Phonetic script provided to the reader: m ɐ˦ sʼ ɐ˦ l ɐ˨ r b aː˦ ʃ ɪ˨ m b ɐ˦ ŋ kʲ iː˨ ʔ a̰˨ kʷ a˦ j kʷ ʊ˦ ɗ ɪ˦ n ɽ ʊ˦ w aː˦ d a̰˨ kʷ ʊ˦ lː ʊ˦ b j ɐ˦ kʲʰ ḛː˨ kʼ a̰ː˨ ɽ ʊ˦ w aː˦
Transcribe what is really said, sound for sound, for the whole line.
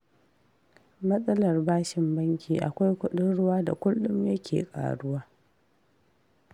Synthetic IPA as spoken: m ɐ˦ sʼ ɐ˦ l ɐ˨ r b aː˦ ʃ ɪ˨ m b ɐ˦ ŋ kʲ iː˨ ʔ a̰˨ kʷ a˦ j kʷ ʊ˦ ɗ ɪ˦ n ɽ ʊ˦ w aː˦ d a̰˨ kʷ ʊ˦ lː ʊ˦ m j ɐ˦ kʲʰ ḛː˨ kʼ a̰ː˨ ɽ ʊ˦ w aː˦

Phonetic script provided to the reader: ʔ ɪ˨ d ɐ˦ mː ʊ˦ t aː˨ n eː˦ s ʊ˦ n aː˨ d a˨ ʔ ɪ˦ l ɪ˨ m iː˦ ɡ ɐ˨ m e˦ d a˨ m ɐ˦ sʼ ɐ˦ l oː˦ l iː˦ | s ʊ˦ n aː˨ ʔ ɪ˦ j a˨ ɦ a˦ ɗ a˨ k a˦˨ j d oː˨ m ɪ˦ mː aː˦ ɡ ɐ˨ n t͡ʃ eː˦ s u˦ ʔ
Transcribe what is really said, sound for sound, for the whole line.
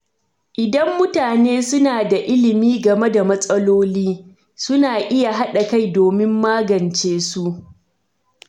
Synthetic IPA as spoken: ʔ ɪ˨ d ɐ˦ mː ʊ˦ t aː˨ n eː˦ s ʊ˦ n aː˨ d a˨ ʔ ɪ˦ l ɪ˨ m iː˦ ɡ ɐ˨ m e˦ d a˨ m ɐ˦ sʼ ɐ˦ l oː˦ l iː˦ | s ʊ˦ n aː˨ ʔ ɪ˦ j a˨ ɦ a˦ ɗ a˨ k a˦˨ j d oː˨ m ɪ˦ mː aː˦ ɡ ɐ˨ n t͡ʃ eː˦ s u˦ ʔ

